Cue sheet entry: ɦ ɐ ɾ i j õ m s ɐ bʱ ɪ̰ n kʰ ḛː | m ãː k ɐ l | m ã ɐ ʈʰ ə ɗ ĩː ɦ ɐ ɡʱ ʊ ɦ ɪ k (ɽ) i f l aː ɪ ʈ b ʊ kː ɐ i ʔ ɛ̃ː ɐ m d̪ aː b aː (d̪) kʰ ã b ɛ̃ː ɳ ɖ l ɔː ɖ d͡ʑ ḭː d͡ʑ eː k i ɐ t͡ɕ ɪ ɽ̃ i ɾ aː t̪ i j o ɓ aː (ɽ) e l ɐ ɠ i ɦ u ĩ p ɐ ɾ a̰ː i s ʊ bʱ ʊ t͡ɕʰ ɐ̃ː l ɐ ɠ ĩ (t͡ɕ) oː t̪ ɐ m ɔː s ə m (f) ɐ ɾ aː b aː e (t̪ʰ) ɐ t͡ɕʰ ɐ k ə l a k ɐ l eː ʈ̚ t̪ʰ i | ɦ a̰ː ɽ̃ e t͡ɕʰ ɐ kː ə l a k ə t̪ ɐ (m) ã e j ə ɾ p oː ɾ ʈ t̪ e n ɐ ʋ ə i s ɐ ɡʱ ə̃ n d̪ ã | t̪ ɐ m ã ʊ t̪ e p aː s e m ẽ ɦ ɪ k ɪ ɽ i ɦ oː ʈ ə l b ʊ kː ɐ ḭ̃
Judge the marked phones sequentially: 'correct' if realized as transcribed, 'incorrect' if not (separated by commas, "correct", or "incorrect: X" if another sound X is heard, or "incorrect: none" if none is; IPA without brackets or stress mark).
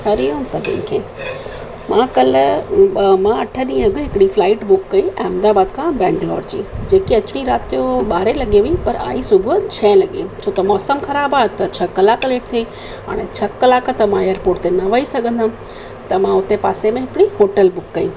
correct, correct, incorrect: ɾ, incorrect: t͡ɕʰ, incorrect: x, incorrect: t̪, correct